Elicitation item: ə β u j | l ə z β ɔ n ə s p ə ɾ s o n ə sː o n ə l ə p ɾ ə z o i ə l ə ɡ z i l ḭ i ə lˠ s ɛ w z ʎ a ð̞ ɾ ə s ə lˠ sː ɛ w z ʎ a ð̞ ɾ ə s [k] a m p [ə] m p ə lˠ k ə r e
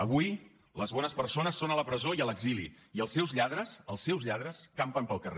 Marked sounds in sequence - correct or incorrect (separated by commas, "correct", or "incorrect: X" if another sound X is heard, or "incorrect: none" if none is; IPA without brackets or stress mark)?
correct, correct